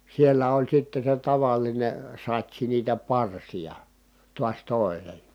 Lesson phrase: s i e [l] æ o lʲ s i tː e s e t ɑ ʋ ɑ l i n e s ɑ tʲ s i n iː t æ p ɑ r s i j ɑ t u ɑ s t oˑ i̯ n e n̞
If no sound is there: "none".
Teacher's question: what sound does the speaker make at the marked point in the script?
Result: lː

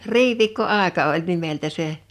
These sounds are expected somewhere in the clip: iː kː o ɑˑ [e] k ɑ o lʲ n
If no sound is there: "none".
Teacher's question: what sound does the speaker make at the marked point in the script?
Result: e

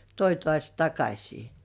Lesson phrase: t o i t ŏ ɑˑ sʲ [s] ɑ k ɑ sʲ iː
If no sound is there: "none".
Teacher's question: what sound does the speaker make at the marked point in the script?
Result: t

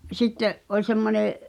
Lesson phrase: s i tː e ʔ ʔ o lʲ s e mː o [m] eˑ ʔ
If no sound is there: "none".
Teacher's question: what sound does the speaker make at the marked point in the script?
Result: n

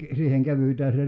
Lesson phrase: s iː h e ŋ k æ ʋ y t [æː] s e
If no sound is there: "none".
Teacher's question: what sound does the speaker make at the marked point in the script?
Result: æː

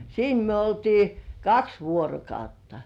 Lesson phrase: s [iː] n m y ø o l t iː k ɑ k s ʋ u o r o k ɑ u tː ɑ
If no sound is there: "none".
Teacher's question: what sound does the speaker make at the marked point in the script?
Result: iː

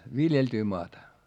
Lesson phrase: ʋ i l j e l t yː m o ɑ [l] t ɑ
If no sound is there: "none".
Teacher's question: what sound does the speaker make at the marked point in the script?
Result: none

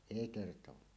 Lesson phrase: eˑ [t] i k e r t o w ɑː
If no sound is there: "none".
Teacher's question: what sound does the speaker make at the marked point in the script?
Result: none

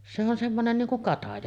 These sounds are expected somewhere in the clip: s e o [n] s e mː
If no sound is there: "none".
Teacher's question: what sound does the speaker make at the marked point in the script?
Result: n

